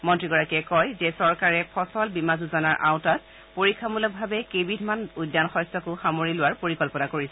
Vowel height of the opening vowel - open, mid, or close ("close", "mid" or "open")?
mid